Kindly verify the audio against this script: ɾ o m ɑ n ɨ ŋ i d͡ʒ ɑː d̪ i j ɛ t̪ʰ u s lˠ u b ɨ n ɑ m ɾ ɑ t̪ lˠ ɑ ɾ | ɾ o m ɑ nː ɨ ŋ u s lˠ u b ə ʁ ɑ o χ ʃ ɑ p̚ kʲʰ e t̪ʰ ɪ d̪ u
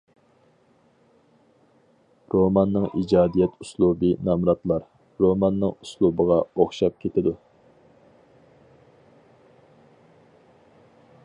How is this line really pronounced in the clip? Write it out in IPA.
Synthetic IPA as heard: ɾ o m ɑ nː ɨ ŋ i d͡ʒ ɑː d̪ i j ɛ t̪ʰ u s lˠ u b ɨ n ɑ m ɾ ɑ t̪ lˠ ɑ ɾ | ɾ o m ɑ nː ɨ ŋ u s lˠ u b ə ʁ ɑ o χ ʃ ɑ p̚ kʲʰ e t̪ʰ ɪ d̪ u